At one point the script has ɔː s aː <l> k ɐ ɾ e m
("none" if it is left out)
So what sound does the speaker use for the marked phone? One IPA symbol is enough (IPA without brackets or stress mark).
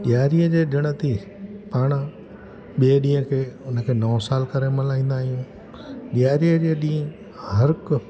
l